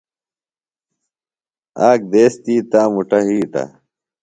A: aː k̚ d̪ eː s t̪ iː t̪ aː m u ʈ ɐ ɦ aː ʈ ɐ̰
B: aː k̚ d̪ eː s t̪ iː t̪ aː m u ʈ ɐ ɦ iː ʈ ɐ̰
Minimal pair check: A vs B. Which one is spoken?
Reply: B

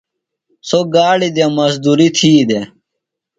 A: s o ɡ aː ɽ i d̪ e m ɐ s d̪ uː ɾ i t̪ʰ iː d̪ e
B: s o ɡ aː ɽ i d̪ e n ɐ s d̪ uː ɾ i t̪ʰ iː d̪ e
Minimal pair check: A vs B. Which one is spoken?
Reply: A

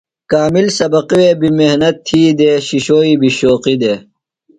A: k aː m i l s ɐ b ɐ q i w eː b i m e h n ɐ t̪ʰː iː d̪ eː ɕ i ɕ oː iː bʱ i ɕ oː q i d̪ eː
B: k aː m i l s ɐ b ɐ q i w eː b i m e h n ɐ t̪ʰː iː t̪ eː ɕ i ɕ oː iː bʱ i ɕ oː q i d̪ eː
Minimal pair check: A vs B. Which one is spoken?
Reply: A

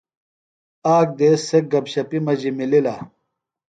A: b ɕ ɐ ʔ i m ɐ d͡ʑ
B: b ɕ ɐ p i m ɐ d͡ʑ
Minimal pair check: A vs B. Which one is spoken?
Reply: B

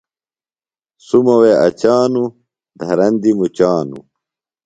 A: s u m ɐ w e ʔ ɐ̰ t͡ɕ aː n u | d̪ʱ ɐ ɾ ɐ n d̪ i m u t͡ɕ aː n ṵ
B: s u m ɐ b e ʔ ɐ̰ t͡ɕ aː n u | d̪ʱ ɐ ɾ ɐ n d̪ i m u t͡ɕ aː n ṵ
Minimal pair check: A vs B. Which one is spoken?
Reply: A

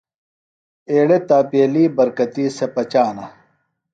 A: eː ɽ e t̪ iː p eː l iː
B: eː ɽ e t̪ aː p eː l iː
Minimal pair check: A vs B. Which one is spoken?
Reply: B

